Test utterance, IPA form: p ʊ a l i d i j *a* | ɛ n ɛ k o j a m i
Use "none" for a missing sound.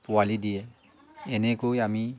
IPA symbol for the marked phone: ɛ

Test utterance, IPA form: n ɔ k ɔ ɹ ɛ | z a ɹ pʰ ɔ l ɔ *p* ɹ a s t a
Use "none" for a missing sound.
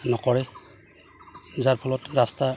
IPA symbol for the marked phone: t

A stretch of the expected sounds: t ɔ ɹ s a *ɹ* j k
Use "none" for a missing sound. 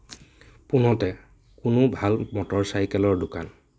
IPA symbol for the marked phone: none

